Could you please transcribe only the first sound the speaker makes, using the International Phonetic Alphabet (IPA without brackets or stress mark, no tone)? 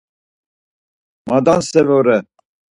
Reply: m